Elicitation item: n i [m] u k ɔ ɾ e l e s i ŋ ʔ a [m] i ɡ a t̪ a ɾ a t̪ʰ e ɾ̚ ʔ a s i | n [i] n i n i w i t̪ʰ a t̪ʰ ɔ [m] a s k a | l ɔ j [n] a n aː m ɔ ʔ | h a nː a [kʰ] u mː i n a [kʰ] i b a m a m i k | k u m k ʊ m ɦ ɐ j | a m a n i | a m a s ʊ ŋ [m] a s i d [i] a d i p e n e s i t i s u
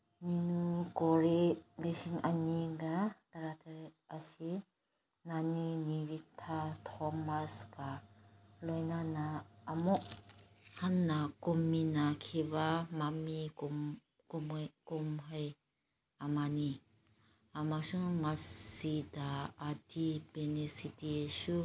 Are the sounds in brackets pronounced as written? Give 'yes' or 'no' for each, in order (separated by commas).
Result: no, no, no, yes, yes, no, yes, yes, no